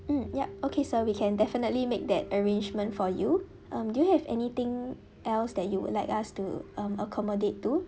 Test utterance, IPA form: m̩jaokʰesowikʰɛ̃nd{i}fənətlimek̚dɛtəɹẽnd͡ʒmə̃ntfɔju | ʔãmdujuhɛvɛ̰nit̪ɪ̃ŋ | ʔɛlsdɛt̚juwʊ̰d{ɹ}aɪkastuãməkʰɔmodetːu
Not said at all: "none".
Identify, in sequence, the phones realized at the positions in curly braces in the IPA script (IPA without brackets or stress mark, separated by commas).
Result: ɛ, l